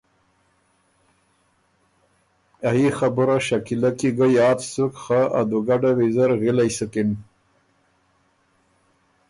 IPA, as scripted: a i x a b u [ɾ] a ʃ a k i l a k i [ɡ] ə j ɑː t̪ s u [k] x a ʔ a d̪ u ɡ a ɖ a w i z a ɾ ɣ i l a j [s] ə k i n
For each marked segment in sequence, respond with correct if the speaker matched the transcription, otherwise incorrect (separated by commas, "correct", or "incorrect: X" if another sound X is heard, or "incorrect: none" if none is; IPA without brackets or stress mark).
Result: correct, correct, correct, correct